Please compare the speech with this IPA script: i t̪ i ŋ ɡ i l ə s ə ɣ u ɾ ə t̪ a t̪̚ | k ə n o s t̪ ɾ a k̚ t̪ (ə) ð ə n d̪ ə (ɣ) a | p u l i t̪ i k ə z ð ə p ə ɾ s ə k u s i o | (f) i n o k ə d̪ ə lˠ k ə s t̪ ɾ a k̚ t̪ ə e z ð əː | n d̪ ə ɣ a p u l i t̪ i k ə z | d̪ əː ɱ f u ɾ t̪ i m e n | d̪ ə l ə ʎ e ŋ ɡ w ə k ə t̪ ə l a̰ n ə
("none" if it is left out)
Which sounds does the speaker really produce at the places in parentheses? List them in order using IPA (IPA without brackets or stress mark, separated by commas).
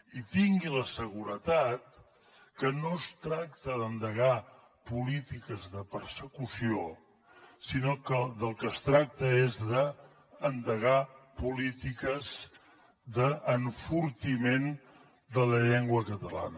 ə, ɣ, s